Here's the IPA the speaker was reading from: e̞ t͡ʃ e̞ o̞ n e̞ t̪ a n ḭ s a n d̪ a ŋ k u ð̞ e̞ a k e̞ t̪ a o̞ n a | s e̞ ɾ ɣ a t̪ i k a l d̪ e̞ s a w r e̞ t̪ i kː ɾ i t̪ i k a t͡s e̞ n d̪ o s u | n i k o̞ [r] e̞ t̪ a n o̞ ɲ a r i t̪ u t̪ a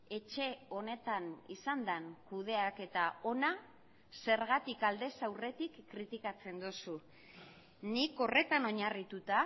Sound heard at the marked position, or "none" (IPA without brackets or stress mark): r